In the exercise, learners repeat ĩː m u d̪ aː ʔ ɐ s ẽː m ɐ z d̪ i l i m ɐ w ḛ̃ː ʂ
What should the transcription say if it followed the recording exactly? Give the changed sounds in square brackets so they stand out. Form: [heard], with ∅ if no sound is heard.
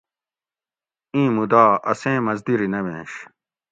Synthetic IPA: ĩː m u d̪ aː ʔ ɐ s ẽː m ɐ z d̪ i [ɾ] i [n] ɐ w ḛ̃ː [ɕ]